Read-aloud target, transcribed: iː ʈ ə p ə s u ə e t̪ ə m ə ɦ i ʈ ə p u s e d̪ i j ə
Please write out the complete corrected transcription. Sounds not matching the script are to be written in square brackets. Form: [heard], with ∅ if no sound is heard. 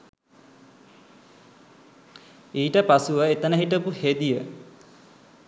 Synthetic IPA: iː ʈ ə p [a] s u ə e t̪ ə [n] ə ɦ i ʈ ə p u [h] e d̪ i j ə